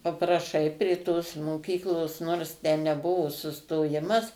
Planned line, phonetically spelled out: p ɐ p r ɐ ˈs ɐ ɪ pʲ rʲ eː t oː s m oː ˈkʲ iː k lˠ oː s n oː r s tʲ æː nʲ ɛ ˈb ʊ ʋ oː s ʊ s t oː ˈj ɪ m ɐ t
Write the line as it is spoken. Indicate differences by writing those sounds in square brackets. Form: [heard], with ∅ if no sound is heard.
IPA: p ɐ p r ɐ [ˈʃ] ɐ ɪ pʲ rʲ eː t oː s m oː ˈkʲ iː k lˠ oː s n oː r s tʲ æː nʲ ɛ ˈb ʊ ʋ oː s ʊ s t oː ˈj ɪ m ɐ [s]